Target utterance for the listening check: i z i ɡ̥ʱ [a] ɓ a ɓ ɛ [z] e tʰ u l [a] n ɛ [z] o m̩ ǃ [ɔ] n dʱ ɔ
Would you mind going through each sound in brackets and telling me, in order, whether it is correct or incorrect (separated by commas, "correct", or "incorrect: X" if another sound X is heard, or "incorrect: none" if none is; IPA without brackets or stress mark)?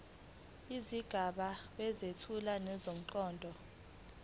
correct, correct, correct, correct, incorrect: ɔː